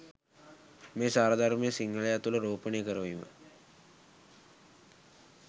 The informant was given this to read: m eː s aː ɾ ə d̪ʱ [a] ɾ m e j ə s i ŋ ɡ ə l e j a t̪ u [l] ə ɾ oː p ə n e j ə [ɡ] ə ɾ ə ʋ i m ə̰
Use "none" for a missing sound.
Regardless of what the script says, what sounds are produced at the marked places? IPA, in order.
a, l, k

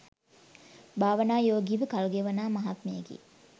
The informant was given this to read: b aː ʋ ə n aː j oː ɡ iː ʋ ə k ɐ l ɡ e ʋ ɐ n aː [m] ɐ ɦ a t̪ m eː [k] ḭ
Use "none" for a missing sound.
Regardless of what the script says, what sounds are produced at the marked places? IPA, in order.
m, ɡ

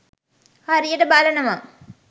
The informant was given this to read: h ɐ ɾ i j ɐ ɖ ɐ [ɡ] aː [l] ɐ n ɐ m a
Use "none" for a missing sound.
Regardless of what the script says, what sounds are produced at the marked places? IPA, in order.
b, l

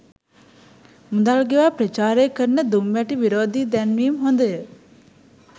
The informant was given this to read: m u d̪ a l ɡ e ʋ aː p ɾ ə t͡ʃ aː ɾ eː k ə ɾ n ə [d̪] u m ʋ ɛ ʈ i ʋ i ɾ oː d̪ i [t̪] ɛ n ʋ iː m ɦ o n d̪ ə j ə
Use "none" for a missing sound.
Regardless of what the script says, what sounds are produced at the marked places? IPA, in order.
d̪, d̪

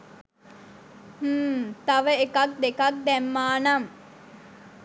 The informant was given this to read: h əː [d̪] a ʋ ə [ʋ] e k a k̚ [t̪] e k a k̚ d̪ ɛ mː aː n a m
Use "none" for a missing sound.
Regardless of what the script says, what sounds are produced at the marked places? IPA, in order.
t̪, none, d̪

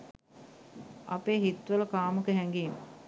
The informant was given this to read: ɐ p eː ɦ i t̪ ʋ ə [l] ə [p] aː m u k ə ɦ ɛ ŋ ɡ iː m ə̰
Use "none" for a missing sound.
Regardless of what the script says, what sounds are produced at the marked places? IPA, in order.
l, k

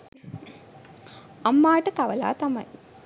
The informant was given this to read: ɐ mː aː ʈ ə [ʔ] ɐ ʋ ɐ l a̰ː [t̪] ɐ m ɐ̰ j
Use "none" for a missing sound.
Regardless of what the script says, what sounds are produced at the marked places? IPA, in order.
k, t̪

